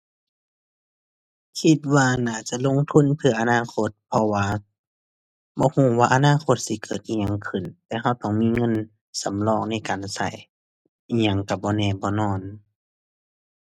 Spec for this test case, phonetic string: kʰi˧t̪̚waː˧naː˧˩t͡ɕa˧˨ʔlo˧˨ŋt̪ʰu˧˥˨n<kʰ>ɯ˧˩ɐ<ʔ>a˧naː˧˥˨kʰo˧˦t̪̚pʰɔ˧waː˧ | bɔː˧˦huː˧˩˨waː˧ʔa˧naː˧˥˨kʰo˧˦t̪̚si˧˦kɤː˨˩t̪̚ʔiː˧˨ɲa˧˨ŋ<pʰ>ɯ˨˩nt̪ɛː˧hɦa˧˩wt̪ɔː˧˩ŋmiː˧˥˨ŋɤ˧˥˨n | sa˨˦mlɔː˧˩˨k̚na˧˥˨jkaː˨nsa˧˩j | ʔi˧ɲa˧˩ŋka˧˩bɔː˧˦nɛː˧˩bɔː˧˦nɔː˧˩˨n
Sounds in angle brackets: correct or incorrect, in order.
incorrect: pʰ, correct, incorrect: kʰ

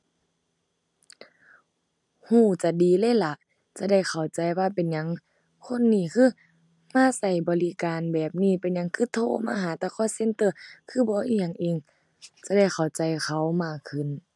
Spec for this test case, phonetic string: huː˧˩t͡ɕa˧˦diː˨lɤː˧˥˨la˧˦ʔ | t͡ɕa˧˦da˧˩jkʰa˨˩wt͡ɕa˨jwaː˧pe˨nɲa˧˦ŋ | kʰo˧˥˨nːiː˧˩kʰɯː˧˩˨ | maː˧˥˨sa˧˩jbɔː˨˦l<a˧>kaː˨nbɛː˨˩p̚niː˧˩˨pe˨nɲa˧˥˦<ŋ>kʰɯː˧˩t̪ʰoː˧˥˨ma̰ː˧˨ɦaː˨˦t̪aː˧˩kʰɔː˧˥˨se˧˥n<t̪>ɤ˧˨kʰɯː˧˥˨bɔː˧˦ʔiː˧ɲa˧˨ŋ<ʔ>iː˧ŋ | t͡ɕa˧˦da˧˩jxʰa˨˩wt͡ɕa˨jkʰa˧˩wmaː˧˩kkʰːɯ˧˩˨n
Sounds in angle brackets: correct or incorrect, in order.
incorrect: i˧, correct, correct, correct

